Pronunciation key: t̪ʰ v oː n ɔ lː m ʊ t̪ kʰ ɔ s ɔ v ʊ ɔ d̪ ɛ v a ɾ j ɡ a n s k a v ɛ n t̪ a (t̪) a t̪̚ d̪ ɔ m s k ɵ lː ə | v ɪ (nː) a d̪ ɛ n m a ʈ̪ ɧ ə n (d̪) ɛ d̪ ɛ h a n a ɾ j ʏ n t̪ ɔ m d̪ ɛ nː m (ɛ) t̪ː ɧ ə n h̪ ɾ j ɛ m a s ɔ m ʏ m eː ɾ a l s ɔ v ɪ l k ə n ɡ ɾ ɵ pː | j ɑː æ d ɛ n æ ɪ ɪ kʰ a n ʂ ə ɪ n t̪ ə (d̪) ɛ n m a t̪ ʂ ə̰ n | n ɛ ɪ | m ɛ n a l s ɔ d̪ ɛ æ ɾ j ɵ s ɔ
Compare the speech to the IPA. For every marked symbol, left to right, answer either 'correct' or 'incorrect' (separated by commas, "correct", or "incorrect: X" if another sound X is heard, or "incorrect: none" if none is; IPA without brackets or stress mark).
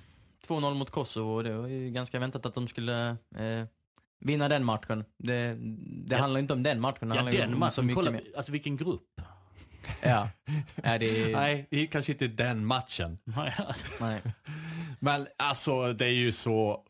correct, correct, correct, incorrect: a, correct